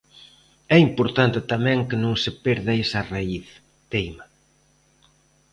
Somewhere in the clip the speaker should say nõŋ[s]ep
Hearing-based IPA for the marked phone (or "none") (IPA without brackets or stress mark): s